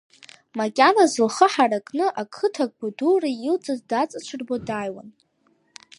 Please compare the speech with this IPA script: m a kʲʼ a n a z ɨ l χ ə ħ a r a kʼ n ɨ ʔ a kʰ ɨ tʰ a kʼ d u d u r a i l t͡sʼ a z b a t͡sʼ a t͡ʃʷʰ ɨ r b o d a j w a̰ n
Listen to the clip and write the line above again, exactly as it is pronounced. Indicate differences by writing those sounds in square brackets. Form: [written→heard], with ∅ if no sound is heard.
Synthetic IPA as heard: m a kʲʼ a n a z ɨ l χ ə ħ a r a kʼ n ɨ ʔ a kʰ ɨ tʰ a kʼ [d→b] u d u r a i l t͡sʼ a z [b→d] a t͡sʼ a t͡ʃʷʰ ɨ r b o d a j w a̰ n